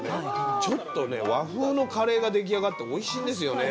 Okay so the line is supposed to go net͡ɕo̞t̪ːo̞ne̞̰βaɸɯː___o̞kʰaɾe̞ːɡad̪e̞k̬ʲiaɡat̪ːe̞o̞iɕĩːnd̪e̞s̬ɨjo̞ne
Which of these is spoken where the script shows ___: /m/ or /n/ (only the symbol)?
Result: n